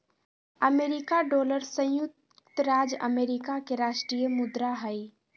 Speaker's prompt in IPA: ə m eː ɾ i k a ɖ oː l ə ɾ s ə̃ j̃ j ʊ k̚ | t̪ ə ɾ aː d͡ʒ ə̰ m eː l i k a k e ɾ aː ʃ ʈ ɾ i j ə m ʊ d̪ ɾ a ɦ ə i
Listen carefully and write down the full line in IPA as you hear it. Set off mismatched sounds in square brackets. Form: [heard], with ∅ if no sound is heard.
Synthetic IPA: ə m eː ɾ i k a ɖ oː l ə ɾ s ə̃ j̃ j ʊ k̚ | t̪ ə ɾ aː d͡ʒ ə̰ m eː [ɾ] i k a k e ɾ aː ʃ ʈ ɾ i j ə m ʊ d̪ ɾ a ɦ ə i